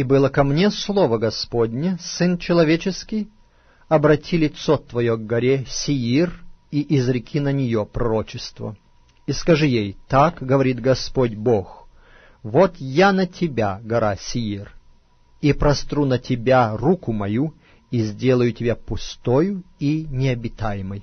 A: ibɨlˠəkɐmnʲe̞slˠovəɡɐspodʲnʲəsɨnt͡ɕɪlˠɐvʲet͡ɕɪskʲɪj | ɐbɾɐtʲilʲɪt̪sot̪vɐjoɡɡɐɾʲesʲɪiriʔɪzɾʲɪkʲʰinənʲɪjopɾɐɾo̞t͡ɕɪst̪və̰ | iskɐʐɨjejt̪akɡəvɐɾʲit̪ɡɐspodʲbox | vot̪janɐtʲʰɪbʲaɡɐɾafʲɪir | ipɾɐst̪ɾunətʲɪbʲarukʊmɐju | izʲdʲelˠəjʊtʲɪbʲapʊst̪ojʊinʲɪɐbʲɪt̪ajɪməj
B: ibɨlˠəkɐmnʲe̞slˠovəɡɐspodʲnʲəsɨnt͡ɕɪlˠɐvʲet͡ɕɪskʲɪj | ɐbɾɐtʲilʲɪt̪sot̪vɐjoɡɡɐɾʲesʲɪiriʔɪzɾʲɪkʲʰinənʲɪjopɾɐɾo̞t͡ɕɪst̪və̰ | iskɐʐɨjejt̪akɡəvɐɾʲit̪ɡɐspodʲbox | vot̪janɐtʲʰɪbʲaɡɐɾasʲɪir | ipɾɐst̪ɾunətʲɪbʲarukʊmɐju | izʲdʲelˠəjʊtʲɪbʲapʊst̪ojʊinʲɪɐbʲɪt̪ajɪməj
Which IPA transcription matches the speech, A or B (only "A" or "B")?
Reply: B